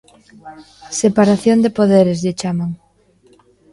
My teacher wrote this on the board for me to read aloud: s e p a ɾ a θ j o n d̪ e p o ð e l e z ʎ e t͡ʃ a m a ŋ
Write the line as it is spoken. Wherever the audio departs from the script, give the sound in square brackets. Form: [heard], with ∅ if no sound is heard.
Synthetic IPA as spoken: s e p a ɾ a θ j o n d̪ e p o ð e [ɾ] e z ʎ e t͡ʃ a m a ŋ